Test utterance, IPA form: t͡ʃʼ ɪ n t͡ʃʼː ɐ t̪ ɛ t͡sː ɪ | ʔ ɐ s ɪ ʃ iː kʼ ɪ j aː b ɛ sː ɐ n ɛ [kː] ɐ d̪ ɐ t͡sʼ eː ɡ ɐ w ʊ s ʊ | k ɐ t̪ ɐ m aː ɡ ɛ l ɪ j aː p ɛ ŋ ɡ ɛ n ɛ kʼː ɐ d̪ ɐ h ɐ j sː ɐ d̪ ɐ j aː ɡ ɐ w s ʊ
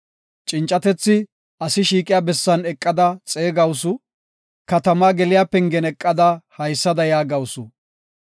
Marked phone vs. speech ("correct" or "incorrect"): incorrect